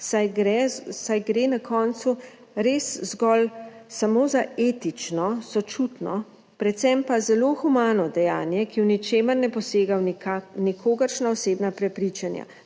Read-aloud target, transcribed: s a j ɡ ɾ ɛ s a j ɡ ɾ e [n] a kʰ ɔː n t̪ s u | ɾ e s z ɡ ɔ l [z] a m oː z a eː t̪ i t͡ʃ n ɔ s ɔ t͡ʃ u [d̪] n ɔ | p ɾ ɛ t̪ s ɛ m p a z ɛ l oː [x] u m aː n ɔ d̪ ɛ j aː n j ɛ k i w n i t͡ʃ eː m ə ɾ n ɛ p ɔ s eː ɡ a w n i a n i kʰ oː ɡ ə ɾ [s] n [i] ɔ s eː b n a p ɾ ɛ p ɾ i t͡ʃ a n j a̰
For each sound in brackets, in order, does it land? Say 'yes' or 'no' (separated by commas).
yes, no, no, yes, no, no